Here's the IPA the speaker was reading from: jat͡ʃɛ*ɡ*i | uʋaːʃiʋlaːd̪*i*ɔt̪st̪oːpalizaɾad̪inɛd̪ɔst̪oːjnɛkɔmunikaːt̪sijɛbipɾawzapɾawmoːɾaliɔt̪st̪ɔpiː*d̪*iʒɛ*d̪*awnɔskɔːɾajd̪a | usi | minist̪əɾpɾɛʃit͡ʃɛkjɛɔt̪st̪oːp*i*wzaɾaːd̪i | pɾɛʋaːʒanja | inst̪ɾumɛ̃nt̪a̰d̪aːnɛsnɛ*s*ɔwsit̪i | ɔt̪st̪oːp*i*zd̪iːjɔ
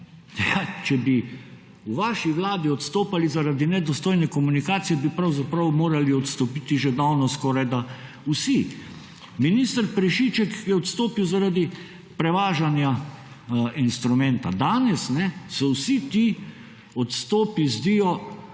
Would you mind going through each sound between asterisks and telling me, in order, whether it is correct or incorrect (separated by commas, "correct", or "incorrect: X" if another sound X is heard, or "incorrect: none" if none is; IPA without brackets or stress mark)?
incorrect: b, correct, incorrect: t̪, correct, correct, correct, correct